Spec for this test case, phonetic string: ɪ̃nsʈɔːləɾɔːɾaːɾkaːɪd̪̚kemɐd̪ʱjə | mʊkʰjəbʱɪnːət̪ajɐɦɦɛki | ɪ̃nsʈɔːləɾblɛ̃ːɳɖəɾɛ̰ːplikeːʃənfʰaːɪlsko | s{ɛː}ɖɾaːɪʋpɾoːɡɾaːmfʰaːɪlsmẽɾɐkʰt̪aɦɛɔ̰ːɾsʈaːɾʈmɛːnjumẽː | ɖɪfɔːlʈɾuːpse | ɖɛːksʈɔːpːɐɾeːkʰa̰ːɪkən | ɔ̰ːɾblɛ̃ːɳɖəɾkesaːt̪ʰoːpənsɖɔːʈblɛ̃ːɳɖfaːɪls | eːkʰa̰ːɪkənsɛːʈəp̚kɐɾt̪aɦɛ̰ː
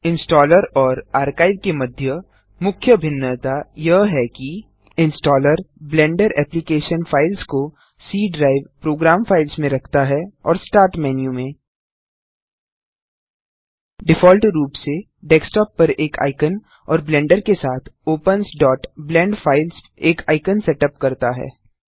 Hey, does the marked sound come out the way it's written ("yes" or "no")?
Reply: no